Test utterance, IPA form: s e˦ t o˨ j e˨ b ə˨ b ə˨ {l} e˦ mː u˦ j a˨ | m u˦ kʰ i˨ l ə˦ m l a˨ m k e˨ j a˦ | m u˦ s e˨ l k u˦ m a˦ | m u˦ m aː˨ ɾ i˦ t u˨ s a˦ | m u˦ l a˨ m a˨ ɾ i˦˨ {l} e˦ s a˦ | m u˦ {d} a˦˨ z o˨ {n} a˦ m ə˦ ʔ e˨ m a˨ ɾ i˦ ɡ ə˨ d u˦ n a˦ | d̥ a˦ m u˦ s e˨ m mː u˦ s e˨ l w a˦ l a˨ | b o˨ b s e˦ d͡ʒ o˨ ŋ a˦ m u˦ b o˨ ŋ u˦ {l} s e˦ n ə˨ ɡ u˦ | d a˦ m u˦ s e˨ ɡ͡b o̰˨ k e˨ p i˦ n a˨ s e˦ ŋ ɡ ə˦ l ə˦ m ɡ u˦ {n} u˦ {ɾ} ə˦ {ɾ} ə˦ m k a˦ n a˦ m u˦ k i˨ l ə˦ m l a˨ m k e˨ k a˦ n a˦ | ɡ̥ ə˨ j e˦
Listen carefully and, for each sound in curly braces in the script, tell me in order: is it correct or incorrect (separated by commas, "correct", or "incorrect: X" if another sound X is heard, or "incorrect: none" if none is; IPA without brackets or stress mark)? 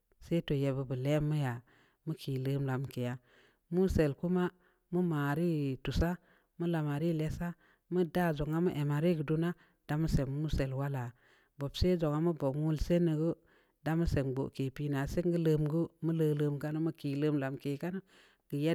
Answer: correct, correct, correct, incorrect: ŋ, correct, incorrect: m, incorrect: l, incorrect: l